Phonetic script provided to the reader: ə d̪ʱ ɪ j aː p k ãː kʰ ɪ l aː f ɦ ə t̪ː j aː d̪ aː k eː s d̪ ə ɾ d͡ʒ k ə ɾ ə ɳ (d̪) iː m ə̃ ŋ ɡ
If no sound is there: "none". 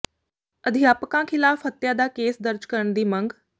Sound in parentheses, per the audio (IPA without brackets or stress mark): d̪